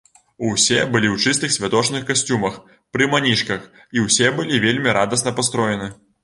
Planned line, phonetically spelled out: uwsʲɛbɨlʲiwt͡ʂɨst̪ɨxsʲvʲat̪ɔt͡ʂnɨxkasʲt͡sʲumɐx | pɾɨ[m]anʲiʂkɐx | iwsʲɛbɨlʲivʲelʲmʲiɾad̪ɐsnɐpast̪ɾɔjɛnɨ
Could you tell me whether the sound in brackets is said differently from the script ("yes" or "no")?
no